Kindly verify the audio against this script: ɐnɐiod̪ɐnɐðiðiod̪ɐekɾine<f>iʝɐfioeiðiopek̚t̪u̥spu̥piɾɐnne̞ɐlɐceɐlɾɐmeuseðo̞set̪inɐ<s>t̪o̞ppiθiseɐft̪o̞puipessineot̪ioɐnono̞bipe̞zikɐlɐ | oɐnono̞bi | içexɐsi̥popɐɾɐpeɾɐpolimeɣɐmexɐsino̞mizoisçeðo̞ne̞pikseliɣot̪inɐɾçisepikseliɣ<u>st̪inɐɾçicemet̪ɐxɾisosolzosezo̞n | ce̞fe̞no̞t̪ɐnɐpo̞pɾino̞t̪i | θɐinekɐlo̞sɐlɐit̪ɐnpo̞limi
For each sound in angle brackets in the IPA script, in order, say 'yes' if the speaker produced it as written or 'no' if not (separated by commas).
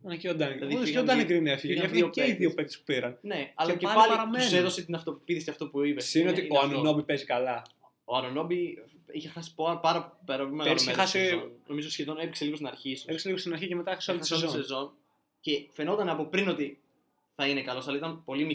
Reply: yes, no, no